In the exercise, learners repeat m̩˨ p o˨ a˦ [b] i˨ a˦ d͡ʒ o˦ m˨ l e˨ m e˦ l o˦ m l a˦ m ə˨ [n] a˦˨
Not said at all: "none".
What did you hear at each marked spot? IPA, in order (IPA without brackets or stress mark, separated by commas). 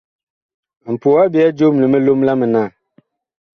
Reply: b, n